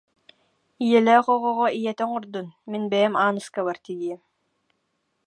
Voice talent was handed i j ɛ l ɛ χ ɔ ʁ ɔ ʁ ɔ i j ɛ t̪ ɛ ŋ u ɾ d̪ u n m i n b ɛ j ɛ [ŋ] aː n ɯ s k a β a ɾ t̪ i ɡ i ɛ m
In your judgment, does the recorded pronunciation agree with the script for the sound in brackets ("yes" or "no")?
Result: no